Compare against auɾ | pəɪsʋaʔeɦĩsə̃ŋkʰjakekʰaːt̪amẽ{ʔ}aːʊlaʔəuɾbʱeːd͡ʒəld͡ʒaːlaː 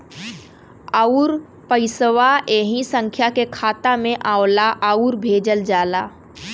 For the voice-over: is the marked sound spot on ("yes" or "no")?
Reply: yes